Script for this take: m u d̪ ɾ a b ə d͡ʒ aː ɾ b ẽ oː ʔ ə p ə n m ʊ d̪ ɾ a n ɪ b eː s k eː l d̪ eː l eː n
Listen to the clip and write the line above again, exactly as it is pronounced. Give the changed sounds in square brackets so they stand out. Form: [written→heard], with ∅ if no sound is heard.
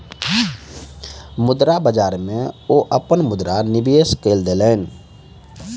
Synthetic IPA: m [u→ʊ] d̪ ɾ a b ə d͡ʒ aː ɾ [b→m] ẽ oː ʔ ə p ə n m ʊ d̪ ɾ a n ɪ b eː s k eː l d̪ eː l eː n